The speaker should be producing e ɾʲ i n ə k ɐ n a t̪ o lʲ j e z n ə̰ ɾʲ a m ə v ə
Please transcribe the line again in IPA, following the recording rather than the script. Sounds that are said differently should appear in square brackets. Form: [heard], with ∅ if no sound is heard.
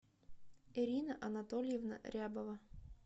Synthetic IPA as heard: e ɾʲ i n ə [ʔ] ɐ n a t̪ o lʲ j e [v] n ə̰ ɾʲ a [b] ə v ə

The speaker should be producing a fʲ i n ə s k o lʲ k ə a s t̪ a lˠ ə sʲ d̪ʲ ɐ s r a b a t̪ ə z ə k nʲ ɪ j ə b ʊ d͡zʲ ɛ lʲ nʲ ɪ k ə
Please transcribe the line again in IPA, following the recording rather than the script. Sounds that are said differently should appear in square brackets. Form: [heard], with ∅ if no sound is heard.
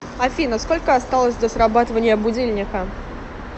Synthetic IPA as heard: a fʲ i n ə s k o lʲ k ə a s t̪ a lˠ ə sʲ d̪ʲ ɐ s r a b a t̪ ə [v] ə [∅] nʲ ɪ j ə b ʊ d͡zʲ [i] lʲ nʲ ɪ k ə

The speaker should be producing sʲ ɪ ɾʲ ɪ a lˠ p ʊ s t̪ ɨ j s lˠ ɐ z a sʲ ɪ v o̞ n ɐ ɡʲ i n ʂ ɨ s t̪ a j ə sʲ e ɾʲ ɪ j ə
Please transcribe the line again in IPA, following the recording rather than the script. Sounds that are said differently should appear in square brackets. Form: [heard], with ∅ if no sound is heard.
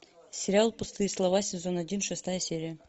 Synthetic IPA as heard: sʲ ɪ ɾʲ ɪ a lˠ p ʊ s t̪ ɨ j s lˠ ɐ [v] a sʲ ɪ [z] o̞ n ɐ [dʲ] i n ʂ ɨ s t̪ a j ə sʲ e ɾʲ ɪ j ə

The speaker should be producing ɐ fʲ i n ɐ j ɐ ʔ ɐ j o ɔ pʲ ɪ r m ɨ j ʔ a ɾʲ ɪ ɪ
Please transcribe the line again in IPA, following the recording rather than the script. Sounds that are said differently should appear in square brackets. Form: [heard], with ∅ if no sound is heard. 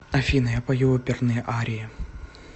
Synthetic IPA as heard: ɐ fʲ i n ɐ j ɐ [p] ɐ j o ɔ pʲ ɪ r [n] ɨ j ʔ a ɾʲ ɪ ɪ

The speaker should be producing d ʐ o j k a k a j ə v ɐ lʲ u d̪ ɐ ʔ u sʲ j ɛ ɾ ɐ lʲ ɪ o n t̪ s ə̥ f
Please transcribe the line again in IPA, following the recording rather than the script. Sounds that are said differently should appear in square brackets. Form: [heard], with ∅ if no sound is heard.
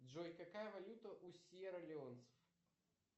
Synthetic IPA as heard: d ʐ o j k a k a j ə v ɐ lʲ u [t̪] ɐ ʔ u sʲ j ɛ ɾ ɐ lʲ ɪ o n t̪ s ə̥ f

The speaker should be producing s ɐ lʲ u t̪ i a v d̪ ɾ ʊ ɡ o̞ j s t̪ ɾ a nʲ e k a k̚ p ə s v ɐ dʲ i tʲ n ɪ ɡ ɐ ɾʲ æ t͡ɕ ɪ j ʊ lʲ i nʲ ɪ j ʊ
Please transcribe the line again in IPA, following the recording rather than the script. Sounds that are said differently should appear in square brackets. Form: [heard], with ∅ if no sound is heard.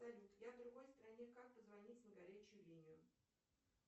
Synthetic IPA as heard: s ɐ lʲ u t̪ [j] a v d̪ ɾ ʊ ɡ o̞ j s t̪ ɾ [ɐ] nʲ e k a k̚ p ə [z] v ɐ [nʲ] i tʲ n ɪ ɡ ɐ ɾʲ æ t͡ɕ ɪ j ʊ lʲ i nʲ ɪ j ʊ

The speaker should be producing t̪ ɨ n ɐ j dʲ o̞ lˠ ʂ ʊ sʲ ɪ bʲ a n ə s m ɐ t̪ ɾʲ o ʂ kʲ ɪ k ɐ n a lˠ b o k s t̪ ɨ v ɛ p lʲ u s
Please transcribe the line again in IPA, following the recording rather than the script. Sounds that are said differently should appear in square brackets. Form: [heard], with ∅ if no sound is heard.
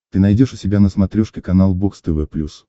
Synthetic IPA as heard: t̪ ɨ n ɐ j dʲ o̞ [∅] ʂ ʊ sʲ ɪ bʲ a n ə s m ɐ t̪ ɾʲ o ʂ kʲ ɪ k ɐ n a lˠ b o k s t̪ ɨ v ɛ p lʲ u s

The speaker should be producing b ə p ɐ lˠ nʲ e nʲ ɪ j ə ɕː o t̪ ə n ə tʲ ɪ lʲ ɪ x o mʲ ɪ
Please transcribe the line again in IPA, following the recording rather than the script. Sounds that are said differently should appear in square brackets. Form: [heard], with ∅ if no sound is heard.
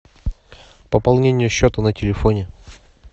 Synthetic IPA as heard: [p] ə p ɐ lˠ nʲ e nʲ ɪ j ə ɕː o t̪ ə n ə tʲ ɪ lʲ ɪ [f] o [nʲ] ɪ

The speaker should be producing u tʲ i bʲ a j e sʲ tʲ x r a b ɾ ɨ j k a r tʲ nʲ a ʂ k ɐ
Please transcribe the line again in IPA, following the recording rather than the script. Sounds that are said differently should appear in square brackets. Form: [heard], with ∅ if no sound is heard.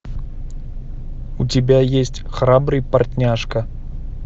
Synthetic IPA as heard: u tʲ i bʲ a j e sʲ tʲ x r a b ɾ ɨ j [p] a r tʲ nʲ a ʂ k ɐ

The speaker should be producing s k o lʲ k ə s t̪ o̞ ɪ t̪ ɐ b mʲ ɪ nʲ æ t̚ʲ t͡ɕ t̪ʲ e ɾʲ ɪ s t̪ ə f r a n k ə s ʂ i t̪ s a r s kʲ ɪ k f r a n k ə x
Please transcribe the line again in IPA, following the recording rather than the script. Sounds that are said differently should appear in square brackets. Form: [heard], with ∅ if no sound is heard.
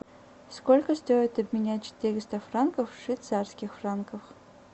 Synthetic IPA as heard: s k o lʲ k ə s t̪ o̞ ɪ t̪ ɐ b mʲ ɪ nʲ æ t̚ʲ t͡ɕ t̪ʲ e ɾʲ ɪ s t̪ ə f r a n k ə [f] ʂ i t̪ s a r s kʲ ɪ [x] f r a n k ə [f]

